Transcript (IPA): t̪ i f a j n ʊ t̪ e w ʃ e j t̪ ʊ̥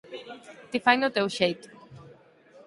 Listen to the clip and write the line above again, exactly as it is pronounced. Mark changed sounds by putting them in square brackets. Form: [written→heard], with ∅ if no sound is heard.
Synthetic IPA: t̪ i f a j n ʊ t̪ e w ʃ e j t̪ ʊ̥